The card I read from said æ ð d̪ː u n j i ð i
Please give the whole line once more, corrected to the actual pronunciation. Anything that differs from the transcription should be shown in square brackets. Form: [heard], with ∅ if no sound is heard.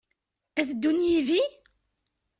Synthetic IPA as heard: æ [θ] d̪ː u n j i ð i